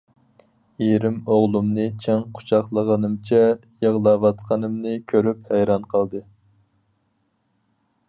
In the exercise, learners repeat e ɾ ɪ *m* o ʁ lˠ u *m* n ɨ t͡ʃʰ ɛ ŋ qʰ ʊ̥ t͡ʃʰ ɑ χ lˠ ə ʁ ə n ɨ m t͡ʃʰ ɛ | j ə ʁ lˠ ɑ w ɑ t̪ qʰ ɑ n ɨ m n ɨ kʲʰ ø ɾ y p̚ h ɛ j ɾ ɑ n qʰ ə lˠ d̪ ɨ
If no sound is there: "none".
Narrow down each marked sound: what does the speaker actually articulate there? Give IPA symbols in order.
m, m

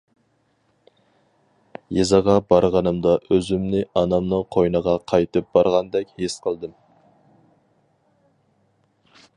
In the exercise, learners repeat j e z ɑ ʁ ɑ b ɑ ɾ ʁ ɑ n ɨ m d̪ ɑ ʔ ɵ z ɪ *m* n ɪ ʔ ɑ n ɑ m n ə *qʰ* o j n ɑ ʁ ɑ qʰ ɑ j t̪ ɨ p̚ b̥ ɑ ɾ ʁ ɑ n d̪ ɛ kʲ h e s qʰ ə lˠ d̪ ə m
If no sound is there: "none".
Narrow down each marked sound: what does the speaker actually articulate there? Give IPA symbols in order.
m, qʰ

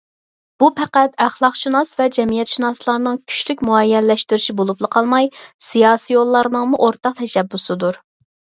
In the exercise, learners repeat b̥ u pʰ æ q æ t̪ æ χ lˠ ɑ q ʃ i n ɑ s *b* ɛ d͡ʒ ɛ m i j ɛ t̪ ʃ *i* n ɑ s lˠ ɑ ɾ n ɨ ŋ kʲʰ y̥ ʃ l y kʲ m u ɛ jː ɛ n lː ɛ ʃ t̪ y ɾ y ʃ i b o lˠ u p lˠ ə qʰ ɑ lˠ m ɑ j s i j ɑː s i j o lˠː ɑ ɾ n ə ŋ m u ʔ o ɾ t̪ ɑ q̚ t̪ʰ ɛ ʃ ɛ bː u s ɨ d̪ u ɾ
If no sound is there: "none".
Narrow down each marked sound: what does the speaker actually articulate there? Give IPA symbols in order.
v, i

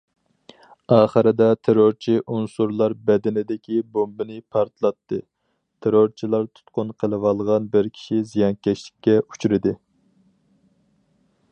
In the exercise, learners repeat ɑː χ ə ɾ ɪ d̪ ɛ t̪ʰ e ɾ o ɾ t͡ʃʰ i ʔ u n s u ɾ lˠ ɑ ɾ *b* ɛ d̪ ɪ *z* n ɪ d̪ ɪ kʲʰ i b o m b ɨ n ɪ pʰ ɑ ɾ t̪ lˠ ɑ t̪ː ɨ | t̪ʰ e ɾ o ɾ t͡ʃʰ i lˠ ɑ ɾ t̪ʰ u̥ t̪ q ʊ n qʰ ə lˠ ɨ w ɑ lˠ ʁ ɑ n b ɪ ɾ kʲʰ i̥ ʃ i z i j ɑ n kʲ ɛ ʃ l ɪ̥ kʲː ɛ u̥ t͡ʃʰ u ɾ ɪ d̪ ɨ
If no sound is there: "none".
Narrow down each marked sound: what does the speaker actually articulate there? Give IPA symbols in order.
b, none

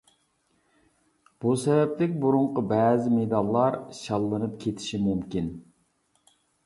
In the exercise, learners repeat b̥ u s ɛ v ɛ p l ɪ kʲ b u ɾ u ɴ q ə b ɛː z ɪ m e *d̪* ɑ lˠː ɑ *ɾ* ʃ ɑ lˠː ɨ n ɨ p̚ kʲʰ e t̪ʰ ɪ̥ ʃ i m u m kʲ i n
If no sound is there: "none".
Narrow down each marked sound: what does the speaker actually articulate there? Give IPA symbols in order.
d̪, ɾ

